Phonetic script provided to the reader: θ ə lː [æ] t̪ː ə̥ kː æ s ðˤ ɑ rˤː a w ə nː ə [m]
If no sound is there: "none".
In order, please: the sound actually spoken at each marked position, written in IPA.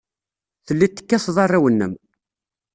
i, m

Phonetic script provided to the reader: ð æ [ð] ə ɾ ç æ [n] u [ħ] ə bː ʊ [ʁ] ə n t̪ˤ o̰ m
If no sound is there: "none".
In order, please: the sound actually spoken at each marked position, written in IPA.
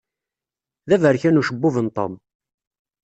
v, n, ʃ, v

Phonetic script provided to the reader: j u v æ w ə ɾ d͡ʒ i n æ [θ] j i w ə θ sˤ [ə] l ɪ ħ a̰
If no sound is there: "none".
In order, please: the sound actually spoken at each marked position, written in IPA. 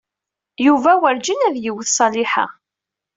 ð, ɑ

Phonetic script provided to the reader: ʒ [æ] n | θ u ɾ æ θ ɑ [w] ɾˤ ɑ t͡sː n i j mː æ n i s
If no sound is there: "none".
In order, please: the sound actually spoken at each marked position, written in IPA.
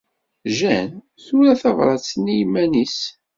æ, v

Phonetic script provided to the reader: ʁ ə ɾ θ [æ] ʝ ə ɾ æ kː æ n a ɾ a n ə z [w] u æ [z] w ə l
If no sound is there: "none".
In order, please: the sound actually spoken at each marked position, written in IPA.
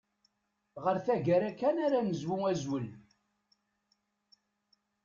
æ, w, z

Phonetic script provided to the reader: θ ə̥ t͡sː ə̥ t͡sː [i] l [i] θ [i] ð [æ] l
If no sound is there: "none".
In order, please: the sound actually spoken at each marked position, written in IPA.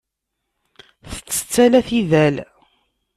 æ, æ, i, æ

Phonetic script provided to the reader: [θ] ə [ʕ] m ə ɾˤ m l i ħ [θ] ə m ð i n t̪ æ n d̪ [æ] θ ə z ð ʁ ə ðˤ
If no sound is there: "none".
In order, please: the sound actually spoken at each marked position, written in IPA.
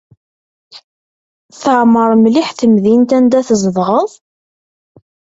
θ, ʕ, θ, æ

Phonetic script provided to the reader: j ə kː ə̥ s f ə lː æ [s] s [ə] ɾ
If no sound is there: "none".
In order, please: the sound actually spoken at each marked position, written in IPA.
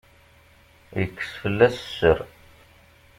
s, ə

